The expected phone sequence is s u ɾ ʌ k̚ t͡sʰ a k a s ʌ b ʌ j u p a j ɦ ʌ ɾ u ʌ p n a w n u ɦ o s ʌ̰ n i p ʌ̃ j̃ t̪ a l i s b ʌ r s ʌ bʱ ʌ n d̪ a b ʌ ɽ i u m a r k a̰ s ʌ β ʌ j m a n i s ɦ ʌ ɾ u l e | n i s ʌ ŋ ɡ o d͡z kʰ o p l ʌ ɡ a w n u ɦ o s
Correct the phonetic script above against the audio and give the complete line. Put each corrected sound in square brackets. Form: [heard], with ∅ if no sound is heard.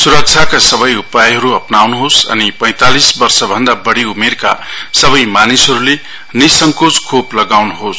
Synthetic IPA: s u ɾ ʌ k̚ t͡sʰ a k a s ʌ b ʌ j u p a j ɦ ʌ ɾ u ʌ p n a w n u ɦ o s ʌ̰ n i p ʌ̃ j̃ t̪ a l i s b ʌ r s ʌ bʱ ʌ n d̪ a b ʌ ɽ i u m [e] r k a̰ s ʌ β ʌ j m a n i s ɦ ʌ ɾ u l e | n i s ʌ ŋ [k] o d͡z kʰ o p l ʌ ɡ a w n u ɦ o s